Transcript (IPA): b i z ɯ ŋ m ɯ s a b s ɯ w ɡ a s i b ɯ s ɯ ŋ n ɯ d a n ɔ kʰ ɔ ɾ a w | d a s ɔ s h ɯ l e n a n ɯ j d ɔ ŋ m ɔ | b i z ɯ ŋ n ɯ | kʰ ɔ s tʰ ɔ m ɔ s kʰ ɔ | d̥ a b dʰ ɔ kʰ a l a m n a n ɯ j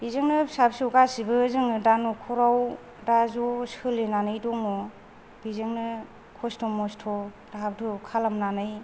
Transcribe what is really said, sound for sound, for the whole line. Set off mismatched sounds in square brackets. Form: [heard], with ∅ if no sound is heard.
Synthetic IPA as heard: b i z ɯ ŋ [n] ɯ s a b s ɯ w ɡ a s i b ɯ [z] ɯ ŋ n ɯ d a n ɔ kʰ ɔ ɾ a w | d a [z] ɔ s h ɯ l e n a n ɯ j d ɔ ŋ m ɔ | b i z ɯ ŋ n ɯ | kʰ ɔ s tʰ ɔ m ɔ s [tʰ] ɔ | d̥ a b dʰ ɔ kʰ a l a m n a n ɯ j